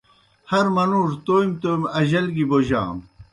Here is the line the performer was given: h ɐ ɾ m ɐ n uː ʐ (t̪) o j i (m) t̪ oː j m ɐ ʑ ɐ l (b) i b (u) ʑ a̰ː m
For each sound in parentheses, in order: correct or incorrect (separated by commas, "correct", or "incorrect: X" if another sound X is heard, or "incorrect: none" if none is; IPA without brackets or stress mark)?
correct, correct, incorrect: ɡ, incorrect: o